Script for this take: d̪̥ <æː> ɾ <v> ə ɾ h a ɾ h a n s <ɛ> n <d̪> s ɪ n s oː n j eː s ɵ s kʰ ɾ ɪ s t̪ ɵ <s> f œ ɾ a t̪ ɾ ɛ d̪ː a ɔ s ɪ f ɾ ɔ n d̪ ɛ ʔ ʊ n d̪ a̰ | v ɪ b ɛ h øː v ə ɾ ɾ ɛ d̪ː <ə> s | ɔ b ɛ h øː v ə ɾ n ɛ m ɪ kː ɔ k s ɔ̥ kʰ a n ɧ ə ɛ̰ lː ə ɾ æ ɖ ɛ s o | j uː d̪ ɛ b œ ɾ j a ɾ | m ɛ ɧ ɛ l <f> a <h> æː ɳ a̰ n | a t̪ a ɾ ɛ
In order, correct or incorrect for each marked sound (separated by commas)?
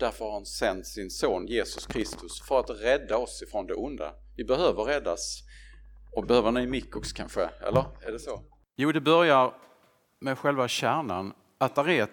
incorrect, incorrect, correct, incorrect, correct, incorrect, incorrect, incorrect